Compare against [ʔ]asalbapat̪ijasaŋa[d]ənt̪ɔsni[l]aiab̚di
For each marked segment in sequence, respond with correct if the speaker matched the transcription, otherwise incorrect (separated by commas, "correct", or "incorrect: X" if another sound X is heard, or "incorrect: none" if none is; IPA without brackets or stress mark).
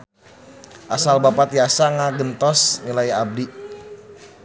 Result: correct, incorrect: ɡ, correct